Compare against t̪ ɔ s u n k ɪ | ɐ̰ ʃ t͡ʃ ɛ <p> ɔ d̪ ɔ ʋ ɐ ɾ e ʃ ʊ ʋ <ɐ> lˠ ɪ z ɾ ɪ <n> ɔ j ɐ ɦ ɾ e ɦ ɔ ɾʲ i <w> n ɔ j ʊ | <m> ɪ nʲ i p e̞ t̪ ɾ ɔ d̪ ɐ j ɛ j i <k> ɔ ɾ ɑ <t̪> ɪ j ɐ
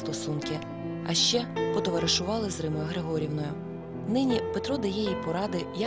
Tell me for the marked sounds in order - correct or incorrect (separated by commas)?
correct, incorrect, incorrect, correct, incorrect, incorrect, incorrect